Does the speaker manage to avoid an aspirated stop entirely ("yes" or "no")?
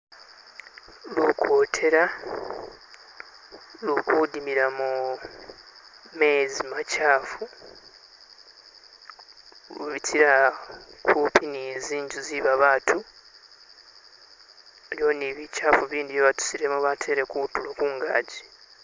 no